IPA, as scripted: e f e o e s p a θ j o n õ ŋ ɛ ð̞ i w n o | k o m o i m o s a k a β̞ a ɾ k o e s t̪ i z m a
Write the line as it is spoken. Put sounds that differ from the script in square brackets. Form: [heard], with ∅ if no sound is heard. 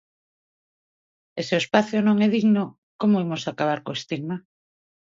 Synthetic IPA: e [s] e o e s p a θ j o n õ ŋ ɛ ð̞ i [ɣ] n o | k o m o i m o s a k a β̞ a ɾ k o e s t̪ i [ɣ] m a